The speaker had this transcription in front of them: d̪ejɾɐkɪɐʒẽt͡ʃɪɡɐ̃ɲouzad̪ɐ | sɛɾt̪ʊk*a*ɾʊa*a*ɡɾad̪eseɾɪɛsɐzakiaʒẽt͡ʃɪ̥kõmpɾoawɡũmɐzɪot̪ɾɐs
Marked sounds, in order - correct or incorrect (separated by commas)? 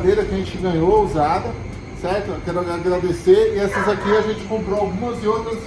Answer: incorrect, correct